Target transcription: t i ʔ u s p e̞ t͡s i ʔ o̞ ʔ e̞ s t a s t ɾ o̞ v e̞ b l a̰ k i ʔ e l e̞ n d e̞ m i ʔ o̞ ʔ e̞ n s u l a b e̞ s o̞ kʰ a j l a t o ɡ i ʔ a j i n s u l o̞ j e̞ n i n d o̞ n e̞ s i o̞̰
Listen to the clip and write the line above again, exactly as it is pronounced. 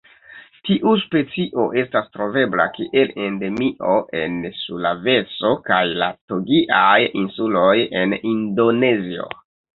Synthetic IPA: t i ʔ u s p e̞ t͡s i ʔ o̞ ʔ e̞ s t a s t ɾ o̞ v e̞ b l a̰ k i ʔ e l e̞ n d e̞ m i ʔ o̞ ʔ e̞ n s u l a v e̞ s o̞ k a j l a t o ɡ i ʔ a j i n s u l o̞ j e̞ n i n d o̞ n e̞ z i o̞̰